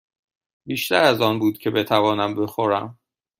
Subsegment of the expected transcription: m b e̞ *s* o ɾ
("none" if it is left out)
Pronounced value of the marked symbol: x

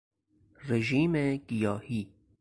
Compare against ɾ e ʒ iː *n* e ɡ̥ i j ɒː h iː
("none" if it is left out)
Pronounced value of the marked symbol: m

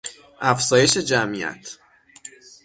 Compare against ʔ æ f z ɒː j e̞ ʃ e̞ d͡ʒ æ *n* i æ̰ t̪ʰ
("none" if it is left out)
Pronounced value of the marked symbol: m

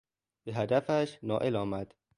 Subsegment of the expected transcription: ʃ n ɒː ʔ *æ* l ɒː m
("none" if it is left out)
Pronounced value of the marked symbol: e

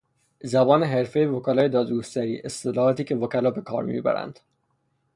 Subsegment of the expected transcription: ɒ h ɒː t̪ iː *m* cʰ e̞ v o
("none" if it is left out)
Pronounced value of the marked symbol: none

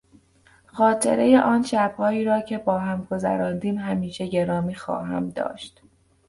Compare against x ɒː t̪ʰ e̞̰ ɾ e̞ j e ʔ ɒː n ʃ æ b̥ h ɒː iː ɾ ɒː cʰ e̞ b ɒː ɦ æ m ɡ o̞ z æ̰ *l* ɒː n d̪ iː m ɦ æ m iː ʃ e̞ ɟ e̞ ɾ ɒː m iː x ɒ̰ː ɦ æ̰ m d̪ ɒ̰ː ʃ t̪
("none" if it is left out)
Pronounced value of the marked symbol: ɾ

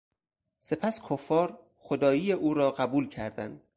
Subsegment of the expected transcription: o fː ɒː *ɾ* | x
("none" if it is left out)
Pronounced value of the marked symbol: ɾ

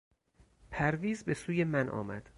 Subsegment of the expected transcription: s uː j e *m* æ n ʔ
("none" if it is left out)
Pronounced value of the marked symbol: m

